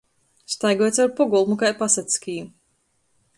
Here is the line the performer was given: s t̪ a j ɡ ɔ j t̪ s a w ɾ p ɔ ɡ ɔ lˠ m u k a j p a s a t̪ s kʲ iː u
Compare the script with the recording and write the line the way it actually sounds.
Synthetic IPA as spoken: s t̪ a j ɡ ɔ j t̪ s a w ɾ p ɔ ɡ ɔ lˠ m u k a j p a s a t̪ s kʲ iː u